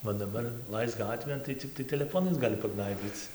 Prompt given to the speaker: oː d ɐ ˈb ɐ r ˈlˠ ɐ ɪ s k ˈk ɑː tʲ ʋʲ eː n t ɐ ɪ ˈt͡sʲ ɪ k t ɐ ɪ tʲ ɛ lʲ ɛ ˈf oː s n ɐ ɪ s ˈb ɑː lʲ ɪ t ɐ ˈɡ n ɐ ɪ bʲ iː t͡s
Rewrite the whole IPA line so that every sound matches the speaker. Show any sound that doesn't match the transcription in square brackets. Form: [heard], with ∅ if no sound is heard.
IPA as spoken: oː d ɐ ˈb ɐ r ˈlˠ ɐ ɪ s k [ˈɡ] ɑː tʲ ʋʲ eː n t ɐ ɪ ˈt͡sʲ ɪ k t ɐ ɪ tʲ ɛ lʲ ɛ ˈf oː [∅] n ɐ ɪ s [ˈɡ] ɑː lʲ ɪ [p] ɐ ˈɡ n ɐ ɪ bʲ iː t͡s